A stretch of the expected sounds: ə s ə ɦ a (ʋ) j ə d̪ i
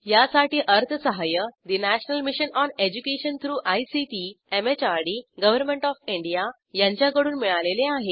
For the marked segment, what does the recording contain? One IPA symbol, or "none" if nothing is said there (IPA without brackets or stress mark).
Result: none